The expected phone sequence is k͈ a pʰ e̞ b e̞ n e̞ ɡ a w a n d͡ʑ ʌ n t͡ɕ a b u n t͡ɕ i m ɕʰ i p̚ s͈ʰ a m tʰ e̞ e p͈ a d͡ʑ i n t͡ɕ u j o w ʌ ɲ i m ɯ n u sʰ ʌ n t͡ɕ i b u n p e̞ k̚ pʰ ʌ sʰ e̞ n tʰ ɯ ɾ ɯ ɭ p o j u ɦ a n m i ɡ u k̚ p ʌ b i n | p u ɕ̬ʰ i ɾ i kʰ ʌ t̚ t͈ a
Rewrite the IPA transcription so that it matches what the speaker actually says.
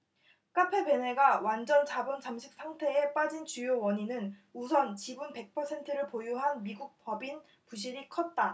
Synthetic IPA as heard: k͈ a pʰ e̞ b e̞ n e̞ ɡ a w a n d͡ʑ ʌ n t͡ɕ a b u n t͡ɕ a m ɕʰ i k̚ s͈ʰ a ŋ tʰ e̞ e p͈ a d͡ʑ i n t͡ɕ u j o w ʌ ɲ i n ɯ n u sʰ ʌ n t͡ɕ i b u n p e̞ k̚ pʰ ʌ sʰ e̞ n tʰ ɯ ɾ ɯ ɭ p o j u ɦ a n m i ɡ u k̚ p ʌ b i n | p u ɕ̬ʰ i ɾ i kʰ ʌ t̚ t͈ a